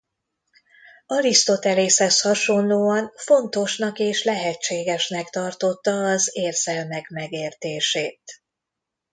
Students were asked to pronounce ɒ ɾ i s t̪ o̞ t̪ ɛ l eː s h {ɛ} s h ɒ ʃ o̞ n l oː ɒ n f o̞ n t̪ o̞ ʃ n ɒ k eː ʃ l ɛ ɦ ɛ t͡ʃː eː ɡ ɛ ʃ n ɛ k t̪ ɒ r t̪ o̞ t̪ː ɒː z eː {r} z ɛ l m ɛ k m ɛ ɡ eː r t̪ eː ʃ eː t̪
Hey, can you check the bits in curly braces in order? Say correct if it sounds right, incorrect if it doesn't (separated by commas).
correct, correct